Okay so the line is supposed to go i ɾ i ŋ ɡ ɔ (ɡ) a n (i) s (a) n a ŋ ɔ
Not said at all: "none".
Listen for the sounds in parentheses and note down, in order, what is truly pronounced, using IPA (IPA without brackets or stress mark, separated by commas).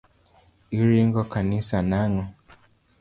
k, i, a